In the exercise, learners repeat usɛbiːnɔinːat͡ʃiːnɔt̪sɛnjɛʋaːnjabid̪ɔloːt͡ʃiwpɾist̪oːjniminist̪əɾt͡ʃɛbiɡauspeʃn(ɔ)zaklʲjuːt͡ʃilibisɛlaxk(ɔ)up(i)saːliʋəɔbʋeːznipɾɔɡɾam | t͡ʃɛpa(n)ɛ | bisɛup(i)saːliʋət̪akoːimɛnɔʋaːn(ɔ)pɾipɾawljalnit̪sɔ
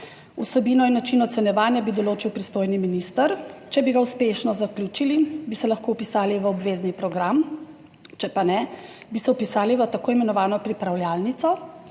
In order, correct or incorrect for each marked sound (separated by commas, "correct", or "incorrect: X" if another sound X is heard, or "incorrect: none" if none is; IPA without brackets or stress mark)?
correct, incorrect: o, correct, correct, correct, correct